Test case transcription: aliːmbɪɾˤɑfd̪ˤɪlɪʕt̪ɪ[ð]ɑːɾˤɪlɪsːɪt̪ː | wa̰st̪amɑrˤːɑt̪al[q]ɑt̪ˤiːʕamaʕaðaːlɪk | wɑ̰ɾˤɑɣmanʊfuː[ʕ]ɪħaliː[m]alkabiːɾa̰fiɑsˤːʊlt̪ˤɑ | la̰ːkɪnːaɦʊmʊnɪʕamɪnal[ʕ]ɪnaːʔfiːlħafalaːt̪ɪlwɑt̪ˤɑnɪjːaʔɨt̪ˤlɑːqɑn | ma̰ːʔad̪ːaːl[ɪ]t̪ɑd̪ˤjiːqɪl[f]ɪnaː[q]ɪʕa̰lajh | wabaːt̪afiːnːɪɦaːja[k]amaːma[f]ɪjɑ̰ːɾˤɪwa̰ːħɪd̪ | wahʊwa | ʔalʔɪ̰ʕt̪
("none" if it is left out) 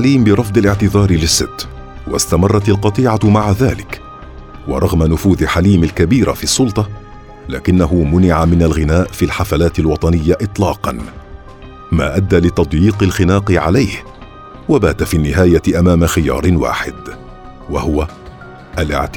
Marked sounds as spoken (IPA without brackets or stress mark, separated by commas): ð, q, ð, m, ɣ, ɪ, x, q, ʔ, x